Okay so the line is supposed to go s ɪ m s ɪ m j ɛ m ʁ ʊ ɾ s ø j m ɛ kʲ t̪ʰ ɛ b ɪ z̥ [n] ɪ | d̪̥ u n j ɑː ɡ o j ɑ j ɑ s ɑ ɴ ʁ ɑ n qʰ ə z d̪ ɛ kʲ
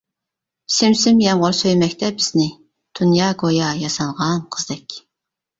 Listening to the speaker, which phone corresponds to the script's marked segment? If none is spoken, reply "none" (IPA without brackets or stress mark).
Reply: n